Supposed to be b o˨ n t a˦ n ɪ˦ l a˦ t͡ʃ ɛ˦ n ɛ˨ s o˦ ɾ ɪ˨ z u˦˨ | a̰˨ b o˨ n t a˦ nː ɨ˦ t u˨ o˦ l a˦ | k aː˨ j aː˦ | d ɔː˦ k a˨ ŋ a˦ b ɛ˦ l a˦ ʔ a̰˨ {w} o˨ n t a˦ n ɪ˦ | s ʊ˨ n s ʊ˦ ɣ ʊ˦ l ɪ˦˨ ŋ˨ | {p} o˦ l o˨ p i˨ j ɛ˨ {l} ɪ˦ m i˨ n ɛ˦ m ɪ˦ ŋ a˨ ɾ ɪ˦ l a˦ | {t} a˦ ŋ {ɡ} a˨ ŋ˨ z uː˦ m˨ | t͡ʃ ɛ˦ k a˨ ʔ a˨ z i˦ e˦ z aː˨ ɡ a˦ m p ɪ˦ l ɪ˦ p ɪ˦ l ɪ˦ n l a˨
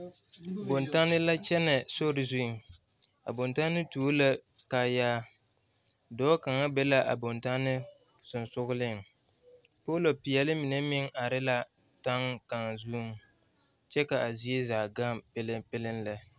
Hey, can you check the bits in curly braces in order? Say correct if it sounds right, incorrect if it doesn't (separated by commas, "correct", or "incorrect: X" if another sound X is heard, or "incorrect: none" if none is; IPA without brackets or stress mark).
incorrect: b, correct, correct, correct, incorrect: k